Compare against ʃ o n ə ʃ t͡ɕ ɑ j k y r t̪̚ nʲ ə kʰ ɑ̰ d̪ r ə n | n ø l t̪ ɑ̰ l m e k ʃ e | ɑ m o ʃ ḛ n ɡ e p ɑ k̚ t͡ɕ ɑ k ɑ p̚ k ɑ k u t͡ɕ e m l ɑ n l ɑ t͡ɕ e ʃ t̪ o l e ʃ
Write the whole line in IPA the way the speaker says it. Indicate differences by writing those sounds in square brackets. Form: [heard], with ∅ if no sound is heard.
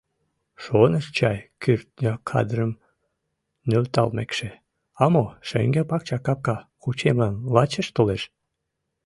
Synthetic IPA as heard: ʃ o n ə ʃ t͡ɕ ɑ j k y r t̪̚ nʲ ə kʰ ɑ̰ d̪ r ə [m] | n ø l t̪ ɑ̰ l m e k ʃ e | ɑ m o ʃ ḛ [ŋ] ɡ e p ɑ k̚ t͡ɕ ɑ k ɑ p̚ k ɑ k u t͡ɕ e m l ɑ n l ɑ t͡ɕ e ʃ t̪ o l e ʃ